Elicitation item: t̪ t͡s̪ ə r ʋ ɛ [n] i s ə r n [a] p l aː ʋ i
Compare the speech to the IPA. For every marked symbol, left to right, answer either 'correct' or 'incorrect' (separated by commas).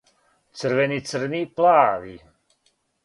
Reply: correct, incorrect